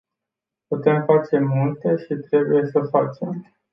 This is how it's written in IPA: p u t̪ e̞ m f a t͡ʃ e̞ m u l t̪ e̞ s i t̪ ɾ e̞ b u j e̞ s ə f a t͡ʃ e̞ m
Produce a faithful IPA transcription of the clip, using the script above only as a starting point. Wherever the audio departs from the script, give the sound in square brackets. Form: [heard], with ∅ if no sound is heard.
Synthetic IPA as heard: p u t̪ e̞ m f a t͡ʃ e̞ m u l t̪ e̞ [ʃ] i t̪ ɾ e̞ b u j e̞ s ə f a t͡ʃ e̞ m